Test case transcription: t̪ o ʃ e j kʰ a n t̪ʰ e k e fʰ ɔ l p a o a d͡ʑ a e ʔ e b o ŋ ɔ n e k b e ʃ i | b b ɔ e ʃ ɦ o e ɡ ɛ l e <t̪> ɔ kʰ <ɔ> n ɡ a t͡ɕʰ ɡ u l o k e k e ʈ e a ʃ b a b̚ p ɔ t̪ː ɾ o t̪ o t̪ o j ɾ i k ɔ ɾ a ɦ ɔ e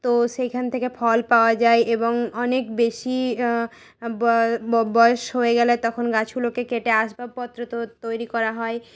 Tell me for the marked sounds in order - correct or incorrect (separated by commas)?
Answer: correct, incorrect